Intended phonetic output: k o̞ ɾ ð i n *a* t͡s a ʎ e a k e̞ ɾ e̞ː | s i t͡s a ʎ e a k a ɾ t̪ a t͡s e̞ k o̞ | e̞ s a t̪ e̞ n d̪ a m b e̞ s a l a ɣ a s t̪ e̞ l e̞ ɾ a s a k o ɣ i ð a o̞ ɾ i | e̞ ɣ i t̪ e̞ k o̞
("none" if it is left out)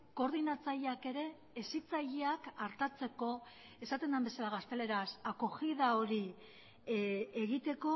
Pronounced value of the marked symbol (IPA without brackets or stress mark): a